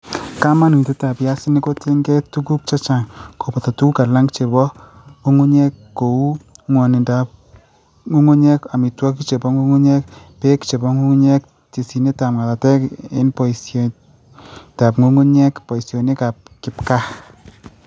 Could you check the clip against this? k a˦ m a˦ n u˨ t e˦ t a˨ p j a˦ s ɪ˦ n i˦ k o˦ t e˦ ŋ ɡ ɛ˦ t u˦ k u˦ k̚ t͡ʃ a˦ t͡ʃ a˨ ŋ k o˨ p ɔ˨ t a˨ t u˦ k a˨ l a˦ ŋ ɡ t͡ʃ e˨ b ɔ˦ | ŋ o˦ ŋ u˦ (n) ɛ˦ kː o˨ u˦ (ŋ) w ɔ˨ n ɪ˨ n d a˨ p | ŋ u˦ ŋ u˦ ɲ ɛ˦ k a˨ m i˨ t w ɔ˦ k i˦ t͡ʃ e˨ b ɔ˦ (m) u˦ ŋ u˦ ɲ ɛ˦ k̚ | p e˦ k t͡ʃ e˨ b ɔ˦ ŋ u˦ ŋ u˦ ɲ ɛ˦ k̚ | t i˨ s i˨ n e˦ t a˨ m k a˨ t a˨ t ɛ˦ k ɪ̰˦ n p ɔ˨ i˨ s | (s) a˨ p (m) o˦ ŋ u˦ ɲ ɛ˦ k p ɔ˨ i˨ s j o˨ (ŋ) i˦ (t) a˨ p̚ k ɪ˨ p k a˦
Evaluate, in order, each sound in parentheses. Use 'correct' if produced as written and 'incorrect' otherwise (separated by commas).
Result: incorrect, correct, incorrect, incorrect, incorrect, incorrect, incorrect